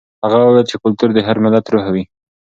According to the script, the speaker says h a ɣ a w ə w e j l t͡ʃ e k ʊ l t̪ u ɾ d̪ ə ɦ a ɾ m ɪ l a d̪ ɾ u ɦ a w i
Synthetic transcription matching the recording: h a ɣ a w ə w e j l t͡ʃ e k ʊ l t̪ u ɾ d̪ ə ɦ a ɾ m ɪ l a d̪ ɾ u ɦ a w i